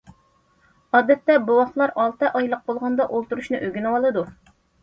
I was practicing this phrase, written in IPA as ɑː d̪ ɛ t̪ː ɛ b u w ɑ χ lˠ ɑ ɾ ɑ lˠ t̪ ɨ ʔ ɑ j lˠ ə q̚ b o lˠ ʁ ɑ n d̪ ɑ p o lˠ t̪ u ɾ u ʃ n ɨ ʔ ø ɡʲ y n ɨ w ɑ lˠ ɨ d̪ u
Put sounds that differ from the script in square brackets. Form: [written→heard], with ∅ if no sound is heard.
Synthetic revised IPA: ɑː d̪ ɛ t̪ː ɛ b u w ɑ χ lˠ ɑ ɾ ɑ lˠ t̪ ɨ ʔ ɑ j lˠ ə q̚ b o lˠ ʁ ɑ n d̪ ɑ [p→ʔ] o lˠ t̪ u ɾ u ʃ n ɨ ʔ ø ɡʲ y n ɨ w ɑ lˠ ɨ d̪ u